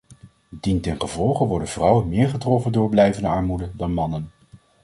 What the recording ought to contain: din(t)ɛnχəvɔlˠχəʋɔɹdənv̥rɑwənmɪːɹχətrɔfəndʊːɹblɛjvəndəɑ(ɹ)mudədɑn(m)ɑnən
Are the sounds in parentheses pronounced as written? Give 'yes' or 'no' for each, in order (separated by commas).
yes, yes, yes